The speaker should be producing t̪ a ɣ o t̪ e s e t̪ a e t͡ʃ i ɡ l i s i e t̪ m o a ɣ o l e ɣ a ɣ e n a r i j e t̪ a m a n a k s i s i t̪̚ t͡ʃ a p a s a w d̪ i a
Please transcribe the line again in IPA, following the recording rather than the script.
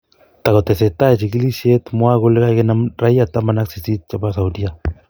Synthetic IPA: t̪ a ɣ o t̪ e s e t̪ a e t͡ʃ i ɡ l i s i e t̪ m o a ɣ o l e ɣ a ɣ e n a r a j a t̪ a m a n a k s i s i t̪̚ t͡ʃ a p a s a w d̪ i a